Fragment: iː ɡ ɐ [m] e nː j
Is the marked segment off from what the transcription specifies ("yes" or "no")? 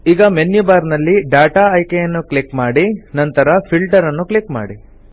no